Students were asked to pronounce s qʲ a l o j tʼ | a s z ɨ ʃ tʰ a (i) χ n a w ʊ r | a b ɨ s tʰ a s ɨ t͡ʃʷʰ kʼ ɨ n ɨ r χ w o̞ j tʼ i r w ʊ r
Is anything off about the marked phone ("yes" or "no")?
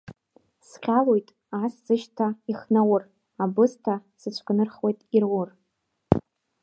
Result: no